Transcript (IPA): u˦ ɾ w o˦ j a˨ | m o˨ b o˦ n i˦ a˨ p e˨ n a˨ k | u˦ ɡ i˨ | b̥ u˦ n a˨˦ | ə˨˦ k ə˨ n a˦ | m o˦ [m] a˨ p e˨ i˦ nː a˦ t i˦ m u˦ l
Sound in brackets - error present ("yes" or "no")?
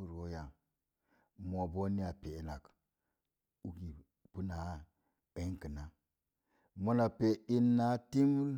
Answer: yes